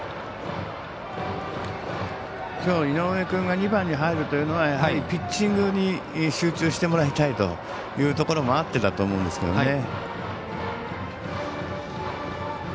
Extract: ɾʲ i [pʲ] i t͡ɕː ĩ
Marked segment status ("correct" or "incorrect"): correct